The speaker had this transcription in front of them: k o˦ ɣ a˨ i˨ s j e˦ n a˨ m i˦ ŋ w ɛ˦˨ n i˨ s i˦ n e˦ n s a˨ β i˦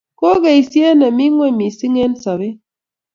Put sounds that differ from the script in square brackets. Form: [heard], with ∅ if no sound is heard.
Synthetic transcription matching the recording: k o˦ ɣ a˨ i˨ s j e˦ n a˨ m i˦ ŋ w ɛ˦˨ [m] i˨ s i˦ [ŋ] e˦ n s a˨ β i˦